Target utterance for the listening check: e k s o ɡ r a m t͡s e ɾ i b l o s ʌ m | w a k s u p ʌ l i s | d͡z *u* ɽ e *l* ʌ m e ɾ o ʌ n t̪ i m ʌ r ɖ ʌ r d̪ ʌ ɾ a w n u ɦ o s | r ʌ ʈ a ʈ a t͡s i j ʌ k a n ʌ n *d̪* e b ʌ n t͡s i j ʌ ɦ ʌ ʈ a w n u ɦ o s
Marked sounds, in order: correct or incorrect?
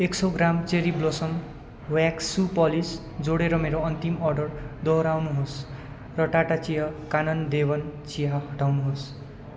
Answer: incorrect, incorrect, correct

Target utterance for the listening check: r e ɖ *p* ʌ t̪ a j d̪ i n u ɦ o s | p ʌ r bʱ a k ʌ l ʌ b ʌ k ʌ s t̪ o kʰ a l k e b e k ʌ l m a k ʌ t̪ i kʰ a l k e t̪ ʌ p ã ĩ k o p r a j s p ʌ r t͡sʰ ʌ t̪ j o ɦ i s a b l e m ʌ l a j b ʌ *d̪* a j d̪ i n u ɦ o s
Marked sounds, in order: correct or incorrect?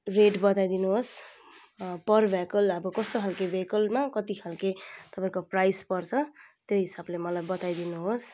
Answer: incorrect, incorrect

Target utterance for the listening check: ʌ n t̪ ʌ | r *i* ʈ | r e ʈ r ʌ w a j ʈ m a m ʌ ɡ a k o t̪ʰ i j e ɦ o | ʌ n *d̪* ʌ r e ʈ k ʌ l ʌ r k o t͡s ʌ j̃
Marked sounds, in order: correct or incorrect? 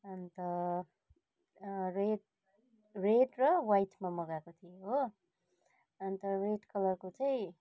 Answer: incorrect, incorrect

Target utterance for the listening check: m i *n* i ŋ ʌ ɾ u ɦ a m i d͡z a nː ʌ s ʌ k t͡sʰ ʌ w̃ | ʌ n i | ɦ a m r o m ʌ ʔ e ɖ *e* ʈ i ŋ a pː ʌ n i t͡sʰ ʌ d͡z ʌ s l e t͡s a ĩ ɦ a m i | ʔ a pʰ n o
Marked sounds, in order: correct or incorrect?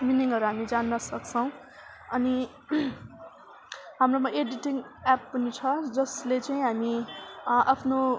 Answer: correct, incorrect

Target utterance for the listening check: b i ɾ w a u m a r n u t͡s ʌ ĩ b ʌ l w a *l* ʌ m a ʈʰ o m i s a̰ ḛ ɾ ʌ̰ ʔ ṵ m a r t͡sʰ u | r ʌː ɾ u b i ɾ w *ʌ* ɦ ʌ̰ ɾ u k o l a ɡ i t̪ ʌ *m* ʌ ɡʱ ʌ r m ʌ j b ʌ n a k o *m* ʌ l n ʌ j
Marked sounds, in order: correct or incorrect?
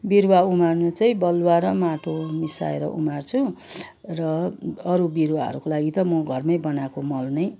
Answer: incorrect, incorrect, correct, correct

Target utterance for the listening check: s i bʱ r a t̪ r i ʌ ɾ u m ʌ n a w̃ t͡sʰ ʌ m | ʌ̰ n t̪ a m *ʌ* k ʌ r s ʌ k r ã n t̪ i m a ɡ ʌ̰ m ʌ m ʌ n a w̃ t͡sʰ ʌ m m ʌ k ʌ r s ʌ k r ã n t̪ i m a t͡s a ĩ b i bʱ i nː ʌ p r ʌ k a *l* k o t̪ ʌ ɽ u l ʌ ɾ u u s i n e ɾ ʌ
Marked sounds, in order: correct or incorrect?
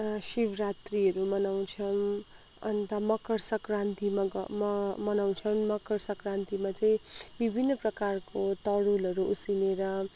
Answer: correct, incorrect

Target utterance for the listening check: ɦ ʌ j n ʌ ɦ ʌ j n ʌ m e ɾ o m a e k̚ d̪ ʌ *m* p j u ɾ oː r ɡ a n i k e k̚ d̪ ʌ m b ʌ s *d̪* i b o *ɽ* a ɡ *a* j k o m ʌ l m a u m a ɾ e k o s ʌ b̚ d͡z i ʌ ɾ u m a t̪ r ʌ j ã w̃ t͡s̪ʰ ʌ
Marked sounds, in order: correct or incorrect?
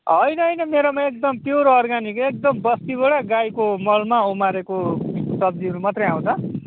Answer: correct, incorrect, correct, correct

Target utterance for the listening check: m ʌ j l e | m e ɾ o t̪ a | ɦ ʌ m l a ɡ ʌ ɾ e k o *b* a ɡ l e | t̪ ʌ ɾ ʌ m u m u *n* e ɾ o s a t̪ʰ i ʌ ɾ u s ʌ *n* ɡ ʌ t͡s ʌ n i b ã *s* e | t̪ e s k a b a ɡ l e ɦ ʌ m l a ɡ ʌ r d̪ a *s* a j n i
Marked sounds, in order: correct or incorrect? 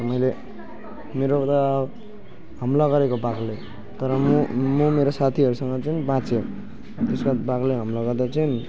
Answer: correct, incorrect, incorrect, incorrect, incorrect

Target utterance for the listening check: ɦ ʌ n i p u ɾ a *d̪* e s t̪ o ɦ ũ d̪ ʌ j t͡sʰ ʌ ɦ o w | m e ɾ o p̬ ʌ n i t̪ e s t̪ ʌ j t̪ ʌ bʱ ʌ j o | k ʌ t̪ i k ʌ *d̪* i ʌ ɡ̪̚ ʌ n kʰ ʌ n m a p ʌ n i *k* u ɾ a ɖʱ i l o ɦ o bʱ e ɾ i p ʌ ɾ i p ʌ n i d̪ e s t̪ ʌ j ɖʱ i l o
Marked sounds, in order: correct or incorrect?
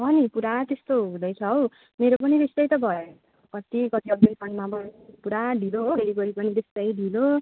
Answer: incorrect, incorrect, incorrect

